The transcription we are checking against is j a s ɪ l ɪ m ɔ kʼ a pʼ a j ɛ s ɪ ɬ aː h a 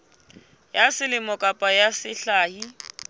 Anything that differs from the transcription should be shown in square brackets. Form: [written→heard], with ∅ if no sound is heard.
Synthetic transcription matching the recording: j a s ɪ l ɪ m ɔ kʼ a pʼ a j [ɛ→a] s ɪ ɬ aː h [a→i]